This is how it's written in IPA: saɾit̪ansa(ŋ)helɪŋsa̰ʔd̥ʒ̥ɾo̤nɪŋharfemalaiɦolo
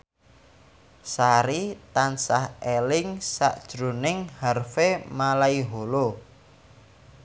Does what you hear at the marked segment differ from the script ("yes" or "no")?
yes